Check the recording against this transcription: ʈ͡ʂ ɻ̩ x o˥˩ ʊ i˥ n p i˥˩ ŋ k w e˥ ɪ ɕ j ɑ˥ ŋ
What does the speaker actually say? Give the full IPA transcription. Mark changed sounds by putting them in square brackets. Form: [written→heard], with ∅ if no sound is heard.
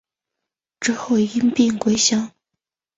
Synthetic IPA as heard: ʈ͡ʂ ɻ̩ x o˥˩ ʊ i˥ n p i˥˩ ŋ k w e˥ ɪ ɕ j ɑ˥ ŋ